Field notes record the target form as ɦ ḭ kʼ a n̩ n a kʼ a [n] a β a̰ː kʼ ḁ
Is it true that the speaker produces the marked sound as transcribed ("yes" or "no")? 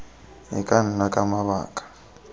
no